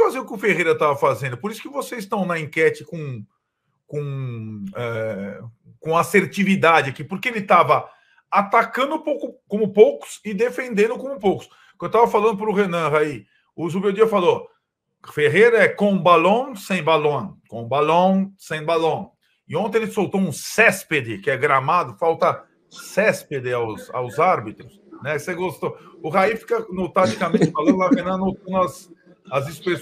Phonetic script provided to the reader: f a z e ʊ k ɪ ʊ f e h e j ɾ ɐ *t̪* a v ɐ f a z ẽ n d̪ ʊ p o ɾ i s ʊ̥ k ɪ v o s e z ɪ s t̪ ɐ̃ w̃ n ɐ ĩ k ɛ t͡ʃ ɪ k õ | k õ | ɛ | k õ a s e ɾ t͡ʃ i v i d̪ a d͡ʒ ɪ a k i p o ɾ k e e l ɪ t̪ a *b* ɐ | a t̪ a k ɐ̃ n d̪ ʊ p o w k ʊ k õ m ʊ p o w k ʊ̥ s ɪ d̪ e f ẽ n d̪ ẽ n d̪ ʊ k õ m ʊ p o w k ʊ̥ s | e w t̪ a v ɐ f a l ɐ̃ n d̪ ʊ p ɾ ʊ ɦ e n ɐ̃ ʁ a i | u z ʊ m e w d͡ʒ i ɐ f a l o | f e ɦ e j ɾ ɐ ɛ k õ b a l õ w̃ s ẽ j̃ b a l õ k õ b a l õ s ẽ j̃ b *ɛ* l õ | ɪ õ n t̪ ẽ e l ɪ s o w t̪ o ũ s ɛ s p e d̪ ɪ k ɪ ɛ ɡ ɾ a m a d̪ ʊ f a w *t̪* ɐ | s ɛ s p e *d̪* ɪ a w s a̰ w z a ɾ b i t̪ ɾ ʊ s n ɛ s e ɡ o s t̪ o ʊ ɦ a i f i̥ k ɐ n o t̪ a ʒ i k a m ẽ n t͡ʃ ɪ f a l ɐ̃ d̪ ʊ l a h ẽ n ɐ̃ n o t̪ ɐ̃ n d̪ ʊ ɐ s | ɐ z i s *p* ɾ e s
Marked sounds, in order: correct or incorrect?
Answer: correct, incorrect, incorrect, correct, correct, correct

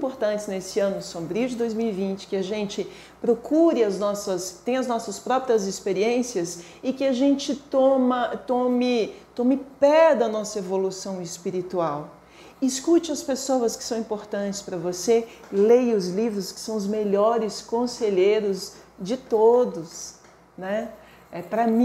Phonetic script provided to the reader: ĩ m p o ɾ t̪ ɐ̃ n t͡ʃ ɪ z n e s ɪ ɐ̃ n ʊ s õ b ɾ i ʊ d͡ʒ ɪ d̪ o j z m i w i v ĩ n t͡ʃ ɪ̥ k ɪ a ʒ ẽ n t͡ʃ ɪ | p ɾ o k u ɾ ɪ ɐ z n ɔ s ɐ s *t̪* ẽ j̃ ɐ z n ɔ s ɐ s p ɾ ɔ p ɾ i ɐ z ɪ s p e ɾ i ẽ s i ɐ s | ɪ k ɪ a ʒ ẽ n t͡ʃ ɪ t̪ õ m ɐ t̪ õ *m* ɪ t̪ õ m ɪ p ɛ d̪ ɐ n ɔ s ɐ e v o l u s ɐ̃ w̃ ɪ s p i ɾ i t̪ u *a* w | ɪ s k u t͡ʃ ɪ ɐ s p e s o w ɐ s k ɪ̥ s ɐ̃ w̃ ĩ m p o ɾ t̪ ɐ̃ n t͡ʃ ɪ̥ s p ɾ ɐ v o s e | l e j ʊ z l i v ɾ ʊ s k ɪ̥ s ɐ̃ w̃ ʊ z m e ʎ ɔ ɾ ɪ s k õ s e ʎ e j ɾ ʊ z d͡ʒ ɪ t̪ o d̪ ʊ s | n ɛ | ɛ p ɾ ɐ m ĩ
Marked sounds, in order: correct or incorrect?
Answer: correct, correct, correct

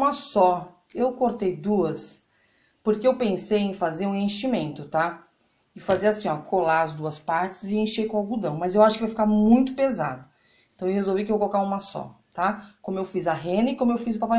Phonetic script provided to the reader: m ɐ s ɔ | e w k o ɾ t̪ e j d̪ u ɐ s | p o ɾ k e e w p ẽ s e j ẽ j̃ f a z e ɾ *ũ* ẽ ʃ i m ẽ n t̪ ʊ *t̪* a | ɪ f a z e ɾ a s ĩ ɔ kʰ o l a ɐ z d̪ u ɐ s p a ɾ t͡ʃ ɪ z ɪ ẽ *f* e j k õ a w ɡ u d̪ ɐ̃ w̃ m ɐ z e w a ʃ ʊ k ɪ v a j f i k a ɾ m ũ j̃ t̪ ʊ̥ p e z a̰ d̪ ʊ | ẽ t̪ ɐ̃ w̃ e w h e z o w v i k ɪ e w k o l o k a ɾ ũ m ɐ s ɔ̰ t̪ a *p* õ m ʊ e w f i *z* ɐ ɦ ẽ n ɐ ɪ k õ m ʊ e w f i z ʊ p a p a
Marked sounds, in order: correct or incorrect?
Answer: correct, correct, incorrect, incorrect, correct

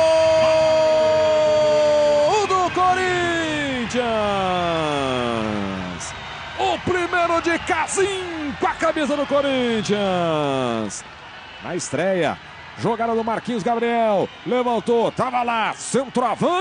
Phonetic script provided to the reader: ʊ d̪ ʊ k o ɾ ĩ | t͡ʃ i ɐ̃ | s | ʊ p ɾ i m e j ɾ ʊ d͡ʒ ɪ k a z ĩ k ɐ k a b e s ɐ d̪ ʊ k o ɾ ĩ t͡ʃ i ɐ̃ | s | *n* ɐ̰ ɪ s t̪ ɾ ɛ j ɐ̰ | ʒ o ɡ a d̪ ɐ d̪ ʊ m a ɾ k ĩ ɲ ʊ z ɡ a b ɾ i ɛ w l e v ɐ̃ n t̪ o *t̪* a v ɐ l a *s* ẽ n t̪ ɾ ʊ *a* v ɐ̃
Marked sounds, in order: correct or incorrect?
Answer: correct, correct, correct, correct

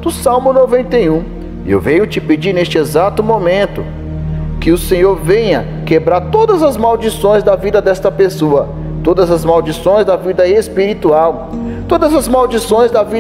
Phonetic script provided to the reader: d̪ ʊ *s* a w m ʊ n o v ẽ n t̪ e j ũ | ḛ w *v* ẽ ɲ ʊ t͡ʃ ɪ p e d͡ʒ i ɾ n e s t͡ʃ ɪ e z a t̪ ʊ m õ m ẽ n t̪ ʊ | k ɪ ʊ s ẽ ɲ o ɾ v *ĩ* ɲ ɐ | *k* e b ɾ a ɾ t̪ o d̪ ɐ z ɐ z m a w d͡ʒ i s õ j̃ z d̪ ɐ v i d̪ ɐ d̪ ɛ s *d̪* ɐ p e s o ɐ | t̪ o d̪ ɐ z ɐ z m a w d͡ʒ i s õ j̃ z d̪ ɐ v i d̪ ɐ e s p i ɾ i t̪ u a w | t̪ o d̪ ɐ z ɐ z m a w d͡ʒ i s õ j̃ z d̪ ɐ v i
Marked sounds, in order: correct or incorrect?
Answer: correct, correct, incorrect, correct, incorrect

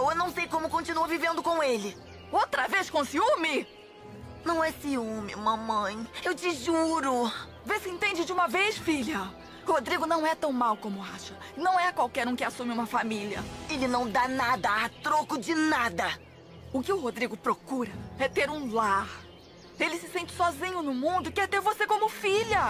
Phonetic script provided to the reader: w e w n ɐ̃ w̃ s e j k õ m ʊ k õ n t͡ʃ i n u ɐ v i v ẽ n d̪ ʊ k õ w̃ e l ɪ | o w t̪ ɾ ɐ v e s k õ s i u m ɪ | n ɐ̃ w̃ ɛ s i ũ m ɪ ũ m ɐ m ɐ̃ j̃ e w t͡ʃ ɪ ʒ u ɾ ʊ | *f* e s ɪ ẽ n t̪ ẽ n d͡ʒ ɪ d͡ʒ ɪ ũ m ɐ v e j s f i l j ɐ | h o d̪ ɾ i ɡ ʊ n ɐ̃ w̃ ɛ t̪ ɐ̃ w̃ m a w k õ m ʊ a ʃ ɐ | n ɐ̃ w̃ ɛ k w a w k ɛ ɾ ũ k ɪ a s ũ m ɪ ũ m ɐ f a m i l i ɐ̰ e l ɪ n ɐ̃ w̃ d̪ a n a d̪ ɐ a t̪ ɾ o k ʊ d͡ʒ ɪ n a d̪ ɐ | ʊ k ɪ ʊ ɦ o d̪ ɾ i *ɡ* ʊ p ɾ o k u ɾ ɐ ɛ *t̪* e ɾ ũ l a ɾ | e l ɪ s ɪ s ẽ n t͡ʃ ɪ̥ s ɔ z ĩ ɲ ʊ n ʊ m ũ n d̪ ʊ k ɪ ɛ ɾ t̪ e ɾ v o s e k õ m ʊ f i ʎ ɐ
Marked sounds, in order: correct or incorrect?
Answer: incorrect, correct, correct

